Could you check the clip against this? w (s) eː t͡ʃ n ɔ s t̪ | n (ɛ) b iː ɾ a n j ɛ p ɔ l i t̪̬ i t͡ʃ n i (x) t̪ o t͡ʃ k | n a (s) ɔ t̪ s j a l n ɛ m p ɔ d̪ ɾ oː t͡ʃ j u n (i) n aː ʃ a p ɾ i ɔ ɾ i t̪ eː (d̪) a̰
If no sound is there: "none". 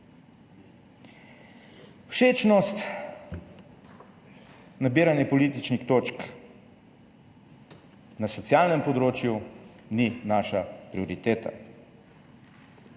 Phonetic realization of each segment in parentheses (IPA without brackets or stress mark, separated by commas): ʃ, a, x, s, i, t̪